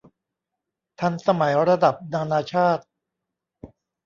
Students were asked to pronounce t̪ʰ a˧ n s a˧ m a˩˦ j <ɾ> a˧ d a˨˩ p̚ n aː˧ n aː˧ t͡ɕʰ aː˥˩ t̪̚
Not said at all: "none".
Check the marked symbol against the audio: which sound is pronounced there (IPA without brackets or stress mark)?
ɾ